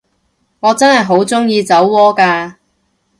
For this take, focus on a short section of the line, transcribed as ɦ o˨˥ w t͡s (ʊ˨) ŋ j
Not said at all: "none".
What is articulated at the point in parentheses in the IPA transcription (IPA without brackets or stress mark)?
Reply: ʊ˥